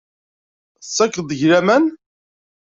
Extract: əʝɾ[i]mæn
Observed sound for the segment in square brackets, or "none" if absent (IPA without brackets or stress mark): æ